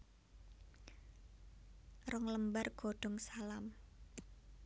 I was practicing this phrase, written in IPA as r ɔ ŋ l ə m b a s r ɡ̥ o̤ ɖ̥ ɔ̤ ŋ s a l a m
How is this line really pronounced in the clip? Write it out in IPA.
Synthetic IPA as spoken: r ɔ ŋ l ə m b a r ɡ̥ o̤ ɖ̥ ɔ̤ ŋ s a l a m